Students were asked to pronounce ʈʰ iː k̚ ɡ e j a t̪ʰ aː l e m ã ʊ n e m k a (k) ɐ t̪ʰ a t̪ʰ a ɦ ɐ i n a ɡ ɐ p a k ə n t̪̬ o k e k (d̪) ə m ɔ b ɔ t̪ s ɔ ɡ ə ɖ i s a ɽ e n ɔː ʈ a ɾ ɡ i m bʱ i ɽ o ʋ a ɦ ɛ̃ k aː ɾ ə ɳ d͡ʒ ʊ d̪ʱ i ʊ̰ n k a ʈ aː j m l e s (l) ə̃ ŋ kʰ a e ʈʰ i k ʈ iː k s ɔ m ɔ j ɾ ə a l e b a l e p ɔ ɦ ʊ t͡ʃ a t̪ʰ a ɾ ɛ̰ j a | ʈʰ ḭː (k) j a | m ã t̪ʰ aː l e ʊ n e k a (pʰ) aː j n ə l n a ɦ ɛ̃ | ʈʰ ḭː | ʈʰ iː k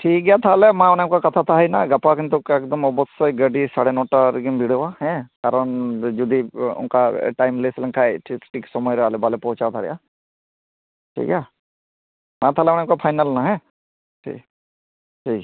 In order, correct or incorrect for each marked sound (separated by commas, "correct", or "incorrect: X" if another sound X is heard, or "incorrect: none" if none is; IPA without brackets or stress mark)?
correct, correct, correct, correct, correct